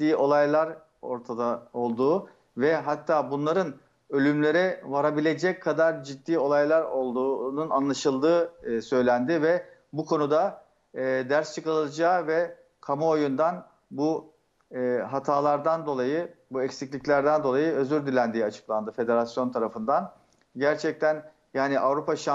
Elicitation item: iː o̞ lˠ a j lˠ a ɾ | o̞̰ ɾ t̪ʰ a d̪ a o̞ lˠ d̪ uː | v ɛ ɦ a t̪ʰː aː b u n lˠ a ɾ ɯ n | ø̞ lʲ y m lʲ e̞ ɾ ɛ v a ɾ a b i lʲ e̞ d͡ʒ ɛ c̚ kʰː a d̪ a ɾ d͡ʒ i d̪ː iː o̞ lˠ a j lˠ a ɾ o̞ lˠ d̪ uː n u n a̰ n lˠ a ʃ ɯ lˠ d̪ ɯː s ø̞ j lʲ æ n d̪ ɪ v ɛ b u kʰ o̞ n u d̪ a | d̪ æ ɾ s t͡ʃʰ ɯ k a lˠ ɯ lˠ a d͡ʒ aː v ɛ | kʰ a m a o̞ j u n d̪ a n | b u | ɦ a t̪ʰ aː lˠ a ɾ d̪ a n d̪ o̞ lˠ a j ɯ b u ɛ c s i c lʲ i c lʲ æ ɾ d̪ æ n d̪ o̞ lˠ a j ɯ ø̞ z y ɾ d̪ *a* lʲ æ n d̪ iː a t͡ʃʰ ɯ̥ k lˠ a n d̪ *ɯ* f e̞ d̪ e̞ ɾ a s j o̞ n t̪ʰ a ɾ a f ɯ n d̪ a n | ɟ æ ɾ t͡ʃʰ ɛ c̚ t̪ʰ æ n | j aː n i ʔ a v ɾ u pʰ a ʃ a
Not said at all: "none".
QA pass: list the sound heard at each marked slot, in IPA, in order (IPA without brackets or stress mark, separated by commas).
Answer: i, ɯ